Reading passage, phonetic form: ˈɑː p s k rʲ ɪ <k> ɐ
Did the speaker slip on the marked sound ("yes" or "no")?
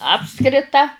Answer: yes